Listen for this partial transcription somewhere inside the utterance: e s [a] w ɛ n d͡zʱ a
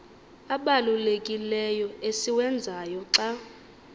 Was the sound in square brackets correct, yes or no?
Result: no